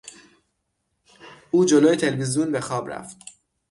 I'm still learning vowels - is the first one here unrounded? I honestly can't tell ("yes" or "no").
no